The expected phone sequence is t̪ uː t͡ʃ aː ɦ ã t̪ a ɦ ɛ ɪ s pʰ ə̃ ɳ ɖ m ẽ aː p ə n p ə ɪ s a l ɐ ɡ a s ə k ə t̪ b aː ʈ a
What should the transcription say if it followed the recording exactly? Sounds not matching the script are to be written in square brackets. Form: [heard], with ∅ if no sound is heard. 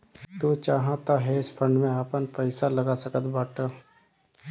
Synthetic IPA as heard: t̪ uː t͡ʃ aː ɦ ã t̪ a ɦ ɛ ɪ s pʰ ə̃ ɳ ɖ m ẽ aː p ə n p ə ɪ s a l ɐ ɡ a s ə k ə t̪ b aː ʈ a